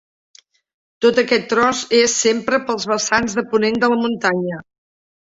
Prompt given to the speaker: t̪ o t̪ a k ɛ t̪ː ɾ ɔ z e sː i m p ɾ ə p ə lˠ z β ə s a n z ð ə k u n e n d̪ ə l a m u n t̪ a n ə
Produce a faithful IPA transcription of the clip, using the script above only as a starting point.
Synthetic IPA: t̪ o t̪ ə k ɛ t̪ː ɾ ɔ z e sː e m p ɾ ə p ə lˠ z β ə s a n z ð ə p u n e n d̪ ə l ə m u n t̪ a ɲ ə